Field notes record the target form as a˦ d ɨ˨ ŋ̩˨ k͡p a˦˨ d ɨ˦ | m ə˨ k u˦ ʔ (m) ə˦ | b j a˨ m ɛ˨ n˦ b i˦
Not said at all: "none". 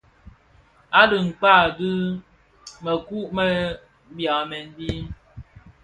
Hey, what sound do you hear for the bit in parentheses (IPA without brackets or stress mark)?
m